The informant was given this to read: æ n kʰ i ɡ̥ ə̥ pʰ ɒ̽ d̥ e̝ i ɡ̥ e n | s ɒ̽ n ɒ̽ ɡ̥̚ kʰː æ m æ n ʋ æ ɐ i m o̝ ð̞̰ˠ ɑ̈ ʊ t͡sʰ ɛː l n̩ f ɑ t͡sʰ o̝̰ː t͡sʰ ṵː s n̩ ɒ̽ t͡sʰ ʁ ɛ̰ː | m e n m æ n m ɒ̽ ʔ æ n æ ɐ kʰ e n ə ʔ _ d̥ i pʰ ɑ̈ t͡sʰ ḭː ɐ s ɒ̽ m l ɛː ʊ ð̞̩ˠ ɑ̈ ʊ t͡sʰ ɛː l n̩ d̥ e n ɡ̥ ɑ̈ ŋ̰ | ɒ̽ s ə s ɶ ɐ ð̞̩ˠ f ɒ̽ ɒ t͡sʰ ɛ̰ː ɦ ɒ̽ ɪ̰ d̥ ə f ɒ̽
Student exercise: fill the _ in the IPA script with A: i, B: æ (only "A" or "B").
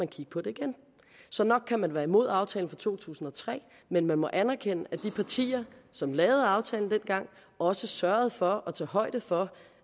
B